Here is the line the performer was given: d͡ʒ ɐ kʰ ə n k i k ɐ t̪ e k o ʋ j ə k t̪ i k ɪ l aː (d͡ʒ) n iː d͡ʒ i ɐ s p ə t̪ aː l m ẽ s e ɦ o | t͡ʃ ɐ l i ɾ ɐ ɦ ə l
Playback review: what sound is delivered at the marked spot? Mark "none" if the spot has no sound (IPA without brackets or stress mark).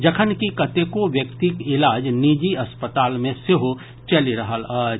d͡ʒ